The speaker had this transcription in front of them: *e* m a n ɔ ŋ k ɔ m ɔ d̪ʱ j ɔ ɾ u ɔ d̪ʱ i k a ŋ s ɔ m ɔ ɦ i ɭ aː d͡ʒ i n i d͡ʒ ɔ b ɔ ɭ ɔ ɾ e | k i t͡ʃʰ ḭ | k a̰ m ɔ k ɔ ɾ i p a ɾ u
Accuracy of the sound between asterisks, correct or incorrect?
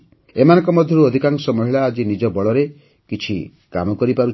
correct